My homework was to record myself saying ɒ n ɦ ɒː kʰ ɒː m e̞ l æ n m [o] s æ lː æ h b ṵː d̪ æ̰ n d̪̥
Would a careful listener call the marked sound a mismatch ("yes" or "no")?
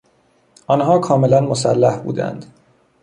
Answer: no